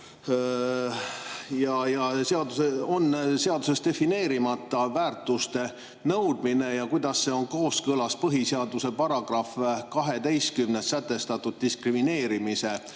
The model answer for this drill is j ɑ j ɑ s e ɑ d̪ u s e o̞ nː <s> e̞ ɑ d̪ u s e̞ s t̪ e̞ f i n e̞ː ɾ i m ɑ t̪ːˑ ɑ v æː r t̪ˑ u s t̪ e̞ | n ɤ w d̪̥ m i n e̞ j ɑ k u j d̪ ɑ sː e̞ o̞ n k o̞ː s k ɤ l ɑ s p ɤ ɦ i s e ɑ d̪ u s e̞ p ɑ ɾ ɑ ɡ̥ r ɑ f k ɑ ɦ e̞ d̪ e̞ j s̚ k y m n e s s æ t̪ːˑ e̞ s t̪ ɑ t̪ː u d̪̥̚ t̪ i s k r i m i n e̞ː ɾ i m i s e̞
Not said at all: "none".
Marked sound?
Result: s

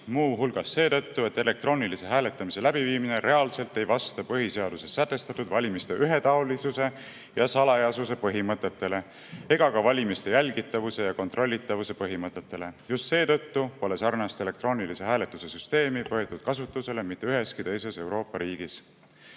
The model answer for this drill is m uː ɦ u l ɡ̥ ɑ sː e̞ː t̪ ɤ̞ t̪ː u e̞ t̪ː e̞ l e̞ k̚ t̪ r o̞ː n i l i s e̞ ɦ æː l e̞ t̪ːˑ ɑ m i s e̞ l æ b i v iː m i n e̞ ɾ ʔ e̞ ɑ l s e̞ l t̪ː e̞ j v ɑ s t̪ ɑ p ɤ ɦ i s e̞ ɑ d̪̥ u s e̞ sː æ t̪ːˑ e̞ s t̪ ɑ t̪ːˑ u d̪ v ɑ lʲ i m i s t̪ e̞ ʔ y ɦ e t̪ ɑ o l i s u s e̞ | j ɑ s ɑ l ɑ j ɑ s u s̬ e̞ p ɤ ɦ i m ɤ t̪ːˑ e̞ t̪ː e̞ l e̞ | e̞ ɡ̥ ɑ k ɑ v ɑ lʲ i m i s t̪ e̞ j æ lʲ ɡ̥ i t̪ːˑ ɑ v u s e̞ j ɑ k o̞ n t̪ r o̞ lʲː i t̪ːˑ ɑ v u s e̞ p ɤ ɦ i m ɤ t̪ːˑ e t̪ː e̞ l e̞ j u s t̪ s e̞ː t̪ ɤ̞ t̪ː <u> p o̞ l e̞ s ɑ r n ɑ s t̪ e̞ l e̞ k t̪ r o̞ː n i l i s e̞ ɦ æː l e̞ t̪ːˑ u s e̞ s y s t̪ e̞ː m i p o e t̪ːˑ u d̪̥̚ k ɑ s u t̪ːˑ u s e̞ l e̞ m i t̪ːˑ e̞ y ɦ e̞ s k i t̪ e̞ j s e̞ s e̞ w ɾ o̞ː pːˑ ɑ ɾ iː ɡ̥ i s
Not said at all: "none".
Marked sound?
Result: u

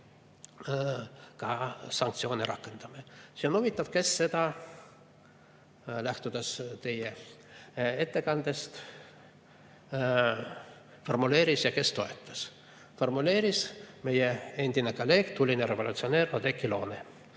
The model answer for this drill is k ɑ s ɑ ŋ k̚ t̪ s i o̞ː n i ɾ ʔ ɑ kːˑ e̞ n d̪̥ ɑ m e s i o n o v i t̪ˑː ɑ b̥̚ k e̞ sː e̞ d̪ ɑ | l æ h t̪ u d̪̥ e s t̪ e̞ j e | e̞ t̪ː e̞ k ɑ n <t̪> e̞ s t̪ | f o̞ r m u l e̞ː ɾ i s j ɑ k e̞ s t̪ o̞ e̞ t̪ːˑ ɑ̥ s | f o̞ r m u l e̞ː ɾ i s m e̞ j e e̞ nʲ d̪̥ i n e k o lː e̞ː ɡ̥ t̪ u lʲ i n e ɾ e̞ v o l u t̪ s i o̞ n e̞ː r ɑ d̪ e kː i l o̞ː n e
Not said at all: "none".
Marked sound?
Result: d̪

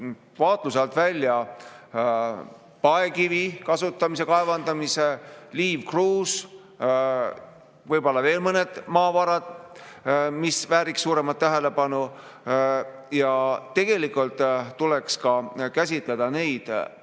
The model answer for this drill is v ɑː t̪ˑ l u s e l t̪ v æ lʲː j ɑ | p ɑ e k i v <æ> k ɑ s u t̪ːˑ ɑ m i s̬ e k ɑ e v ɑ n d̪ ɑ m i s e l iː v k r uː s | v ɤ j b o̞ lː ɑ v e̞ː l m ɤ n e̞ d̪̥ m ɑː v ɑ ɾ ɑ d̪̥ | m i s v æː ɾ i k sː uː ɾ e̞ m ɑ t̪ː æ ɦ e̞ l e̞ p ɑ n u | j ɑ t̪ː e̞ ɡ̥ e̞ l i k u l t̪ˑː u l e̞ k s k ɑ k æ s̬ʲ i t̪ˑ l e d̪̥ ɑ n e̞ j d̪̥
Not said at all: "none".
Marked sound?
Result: i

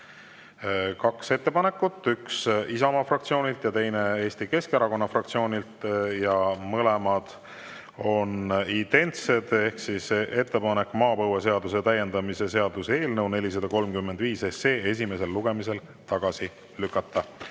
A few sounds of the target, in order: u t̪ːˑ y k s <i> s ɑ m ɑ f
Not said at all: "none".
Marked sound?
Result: i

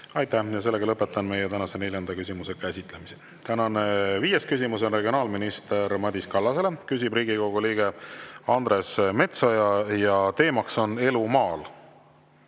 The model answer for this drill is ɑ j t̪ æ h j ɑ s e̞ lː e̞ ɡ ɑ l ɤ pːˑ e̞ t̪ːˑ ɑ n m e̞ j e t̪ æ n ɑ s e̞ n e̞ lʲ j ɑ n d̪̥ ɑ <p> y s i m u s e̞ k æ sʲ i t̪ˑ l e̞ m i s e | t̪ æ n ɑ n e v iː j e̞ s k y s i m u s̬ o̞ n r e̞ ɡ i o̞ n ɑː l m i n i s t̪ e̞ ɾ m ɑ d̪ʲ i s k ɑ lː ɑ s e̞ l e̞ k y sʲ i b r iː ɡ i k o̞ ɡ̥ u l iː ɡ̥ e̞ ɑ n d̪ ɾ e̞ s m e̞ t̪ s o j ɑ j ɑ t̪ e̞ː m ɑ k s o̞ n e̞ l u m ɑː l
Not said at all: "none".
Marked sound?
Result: k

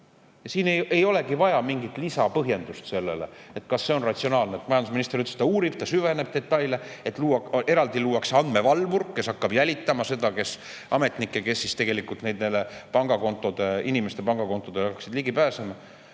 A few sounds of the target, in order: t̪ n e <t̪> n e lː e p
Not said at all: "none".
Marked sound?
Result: d̪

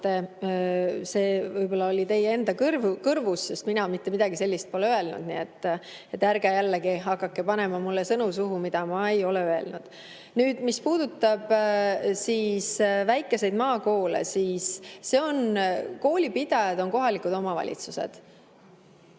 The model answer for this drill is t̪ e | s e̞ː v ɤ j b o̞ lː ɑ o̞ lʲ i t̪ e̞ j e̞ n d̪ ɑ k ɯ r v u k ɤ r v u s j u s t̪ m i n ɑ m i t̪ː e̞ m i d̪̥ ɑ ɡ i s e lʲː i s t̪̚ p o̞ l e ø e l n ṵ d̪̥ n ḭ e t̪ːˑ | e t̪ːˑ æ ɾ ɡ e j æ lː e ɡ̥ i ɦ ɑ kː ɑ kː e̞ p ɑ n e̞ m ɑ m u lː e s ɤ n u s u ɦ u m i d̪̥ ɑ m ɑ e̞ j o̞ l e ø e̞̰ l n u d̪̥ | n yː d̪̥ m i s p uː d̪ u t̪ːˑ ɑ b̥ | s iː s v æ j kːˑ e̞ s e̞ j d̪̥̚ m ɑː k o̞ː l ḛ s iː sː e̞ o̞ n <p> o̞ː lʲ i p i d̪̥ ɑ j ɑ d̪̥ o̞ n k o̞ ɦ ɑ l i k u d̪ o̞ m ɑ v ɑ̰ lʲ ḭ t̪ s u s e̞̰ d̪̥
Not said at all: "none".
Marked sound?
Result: k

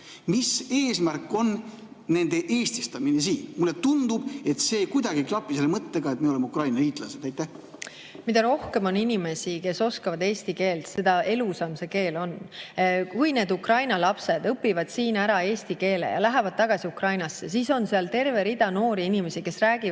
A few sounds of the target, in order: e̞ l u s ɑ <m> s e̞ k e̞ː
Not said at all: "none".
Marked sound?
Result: m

